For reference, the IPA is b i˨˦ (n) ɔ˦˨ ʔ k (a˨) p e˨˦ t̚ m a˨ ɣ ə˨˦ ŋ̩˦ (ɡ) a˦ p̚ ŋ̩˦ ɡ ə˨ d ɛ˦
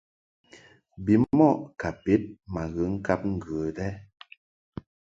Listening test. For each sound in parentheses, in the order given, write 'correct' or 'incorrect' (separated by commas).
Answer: incorrect, correct, incorrect